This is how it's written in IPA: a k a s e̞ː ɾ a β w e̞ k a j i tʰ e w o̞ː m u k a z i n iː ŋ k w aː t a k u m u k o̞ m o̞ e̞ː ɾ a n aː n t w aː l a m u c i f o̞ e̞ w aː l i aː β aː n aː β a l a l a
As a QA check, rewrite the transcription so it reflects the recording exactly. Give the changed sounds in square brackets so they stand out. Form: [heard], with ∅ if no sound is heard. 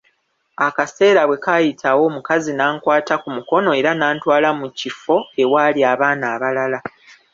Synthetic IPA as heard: a k a s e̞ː ɾ a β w e̞ k a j i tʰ [a] w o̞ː m u k a z i n [aː] ŋ k w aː t a k u m u k o̞ [n] o̞ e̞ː ɾ a n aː n t w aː l a m u c i f o̞ e̞ w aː l i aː β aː n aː β a l a l a